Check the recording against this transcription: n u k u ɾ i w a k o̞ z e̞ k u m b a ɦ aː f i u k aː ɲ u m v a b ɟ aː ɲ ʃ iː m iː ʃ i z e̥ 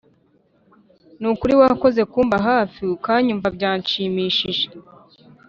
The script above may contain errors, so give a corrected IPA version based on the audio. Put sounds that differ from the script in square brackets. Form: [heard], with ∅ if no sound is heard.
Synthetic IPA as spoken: n u k u ɾ i w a k o̞ z e̞ k [uː] m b a ɦ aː f i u k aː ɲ u m v a b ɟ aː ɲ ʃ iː m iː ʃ i [ʒ] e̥